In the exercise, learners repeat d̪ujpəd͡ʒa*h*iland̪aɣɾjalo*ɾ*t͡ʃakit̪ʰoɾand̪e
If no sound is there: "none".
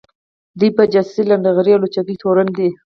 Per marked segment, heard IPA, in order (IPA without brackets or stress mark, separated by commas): s, none